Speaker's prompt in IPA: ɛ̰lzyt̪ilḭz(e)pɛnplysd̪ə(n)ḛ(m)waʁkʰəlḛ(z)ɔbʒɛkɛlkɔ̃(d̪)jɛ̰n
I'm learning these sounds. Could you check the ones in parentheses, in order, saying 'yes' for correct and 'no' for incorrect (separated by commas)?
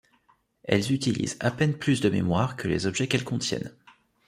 no, no, yes, yes, no